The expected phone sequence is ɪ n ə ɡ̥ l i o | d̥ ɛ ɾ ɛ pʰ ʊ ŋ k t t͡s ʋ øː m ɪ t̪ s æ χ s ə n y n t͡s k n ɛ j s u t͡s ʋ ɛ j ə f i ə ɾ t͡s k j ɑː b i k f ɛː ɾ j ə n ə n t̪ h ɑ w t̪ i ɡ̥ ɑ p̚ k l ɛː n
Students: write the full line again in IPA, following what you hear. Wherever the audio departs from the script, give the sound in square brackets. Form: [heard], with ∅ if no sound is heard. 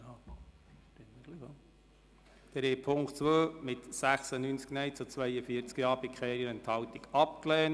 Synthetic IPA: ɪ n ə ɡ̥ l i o | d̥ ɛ ɾ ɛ pʰ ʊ ŋ k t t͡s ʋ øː m ɪ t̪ s æ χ s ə n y n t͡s k n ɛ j [t͡s] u t͡s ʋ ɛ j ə f i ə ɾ t͡s k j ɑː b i k [χ] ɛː ɾ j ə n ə n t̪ h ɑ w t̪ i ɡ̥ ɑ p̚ k l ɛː n